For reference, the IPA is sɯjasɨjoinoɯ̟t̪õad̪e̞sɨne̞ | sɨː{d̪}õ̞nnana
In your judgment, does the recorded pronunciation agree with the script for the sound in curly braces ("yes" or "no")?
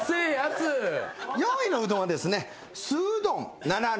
yes